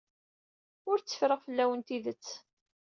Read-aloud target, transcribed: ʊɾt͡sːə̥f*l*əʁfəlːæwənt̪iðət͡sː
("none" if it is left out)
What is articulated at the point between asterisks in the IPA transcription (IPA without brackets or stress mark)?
ɾ